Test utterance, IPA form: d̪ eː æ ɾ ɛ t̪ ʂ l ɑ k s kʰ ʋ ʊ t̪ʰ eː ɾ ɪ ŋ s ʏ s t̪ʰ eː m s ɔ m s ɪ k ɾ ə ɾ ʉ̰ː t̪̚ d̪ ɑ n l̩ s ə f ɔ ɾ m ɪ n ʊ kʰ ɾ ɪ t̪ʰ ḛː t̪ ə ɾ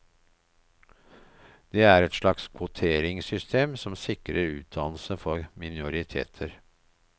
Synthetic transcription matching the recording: d̪ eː æ ɾ ɛ t̪ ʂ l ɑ k s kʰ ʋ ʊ t̪ʰ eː ɾ ɪ ŋ s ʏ s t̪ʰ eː m s ɔ m s ɪ k ɾ ə ɾ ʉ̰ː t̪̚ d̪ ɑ n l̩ s ə f ɔ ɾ m ɪ n ʊ ɾ ɪ t̪ʰ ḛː t̪ʰ ə ɾ